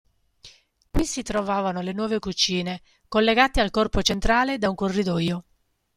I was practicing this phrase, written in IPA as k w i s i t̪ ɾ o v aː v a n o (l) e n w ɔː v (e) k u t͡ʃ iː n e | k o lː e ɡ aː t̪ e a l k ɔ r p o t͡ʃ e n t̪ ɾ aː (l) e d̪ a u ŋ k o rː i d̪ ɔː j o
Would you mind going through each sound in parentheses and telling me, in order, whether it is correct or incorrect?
correct, correct, correct

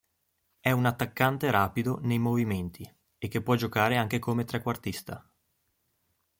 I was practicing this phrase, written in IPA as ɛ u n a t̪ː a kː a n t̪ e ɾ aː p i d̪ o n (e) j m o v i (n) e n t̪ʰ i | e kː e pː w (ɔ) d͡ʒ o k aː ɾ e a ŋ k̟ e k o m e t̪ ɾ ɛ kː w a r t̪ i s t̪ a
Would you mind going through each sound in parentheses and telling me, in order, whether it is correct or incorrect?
correct, incorrect: m, correct

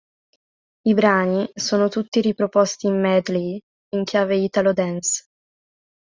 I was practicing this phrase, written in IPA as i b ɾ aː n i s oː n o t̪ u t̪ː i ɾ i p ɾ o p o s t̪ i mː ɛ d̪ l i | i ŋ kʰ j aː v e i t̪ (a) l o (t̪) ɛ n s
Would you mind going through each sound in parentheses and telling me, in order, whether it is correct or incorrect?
correct, incorrect: d̪

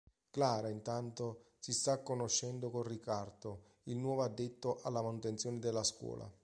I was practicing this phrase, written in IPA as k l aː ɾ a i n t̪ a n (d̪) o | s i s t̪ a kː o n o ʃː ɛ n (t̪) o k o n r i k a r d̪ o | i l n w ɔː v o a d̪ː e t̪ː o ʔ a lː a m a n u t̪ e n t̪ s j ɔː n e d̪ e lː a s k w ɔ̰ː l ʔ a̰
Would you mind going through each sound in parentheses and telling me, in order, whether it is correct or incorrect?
incorrect: t̪, incorrect: d̪

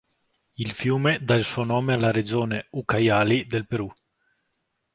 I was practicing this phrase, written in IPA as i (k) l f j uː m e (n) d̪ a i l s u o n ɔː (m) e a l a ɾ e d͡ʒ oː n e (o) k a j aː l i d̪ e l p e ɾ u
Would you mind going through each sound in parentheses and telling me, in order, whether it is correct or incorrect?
incorrect: none, incorrect: none, correct, incorrect: u

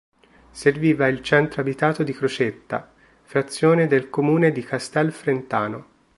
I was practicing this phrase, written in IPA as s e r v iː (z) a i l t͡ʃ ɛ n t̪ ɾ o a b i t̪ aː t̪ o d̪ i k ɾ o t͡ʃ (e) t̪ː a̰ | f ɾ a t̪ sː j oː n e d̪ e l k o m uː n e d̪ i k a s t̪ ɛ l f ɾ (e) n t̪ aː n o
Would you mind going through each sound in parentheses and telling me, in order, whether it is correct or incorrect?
incorrect: v, correct, correct

